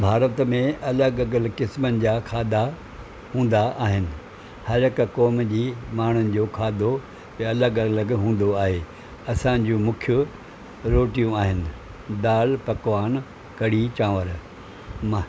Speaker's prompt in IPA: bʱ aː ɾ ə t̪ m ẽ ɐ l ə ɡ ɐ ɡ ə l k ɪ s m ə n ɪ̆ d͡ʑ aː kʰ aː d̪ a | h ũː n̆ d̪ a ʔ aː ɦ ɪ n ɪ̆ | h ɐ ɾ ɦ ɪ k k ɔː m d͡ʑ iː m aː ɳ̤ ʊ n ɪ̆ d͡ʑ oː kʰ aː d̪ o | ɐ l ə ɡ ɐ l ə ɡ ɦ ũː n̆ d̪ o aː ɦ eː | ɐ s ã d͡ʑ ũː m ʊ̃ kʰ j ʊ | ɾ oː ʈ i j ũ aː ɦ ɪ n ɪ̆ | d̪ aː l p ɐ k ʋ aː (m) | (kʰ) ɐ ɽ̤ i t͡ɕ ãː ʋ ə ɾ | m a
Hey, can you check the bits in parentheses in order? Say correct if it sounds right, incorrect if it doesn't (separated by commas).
incorrect, incorrect